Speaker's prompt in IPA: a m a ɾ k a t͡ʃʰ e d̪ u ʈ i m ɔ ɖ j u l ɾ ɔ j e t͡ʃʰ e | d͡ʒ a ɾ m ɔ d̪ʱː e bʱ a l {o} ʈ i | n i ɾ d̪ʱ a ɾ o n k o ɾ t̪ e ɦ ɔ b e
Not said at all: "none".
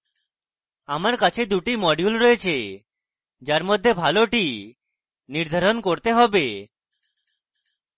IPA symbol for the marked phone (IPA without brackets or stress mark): o